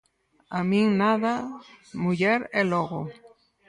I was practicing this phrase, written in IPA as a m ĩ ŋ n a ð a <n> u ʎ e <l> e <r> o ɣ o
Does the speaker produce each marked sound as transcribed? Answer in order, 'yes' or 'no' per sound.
no, no, no

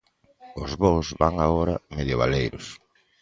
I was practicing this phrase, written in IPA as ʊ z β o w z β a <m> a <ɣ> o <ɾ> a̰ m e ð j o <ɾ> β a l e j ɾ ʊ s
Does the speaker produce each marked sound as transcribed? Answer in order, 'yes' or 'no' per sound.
no, yes, yes, no

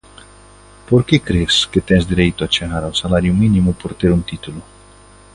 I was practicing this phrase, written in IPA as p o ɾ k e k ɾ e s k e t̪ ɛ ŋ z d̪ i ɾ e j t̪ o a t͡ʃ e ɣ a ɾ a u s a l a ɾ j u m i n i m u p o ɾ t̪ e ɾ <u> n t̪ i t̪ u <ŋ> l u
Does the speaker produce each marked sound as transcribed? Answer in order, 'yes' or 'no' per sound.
yes, no

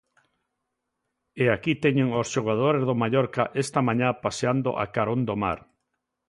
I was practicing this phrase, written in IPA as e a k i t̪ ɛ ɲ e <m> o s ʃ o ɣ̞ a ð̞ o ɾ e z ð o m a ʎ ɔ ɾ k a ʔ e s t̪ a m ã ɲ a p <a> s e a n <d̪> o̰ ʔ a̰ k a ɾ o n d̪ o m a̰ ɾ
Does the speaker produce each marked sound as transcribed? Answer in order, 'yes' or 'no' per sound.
no, yes, yes

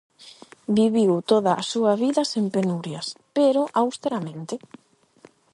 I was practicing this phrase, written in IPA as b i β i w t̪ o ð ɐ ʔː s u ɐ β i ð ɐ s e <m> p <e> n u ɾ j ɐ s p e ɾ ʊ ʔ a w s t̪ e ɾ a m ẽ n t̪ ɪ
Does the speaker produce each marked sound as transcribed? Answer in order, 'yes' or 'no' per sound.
yes, yes

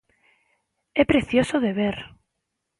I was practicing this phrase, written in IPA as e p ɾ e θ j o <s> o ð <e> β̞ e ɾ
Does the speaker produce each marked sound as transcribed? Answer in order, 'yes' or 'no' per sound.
yes, yes

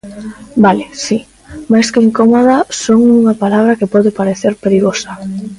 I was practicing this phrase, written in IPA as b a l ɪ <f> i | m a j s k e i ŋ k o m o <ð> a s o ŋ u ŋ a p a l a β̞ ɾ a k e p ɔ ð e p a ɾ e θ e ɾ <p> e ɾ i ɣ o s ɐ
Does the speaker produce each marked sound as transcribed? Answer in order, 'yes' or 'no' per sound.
no, yes, yes

